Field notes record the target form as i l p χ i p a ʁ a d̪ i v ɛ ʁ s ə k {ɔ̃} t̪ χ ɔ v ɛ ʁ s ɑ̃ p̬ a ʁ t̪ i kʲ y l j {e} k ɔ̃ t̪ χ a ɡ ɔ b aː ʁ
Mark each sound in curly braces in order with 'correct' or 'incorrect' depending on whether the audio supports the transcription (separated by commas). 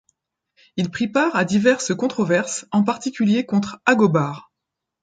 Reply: correct, correct